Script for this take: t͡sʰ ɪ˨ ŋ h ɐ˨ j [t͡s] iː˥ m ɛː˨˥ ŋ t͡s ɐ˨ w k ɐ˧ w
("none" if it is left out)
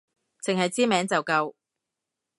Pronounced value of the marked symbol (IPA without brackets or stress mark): t͡s